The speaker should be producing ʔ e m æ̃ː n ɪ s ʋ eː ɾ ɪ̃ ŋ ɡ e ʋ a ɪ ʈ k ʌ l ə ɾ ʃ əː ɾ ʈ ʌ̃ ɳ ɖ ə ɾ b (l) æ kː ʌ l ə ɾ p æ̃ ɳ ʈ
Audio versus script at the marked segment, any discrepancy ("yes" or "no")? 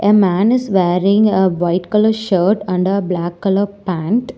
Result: no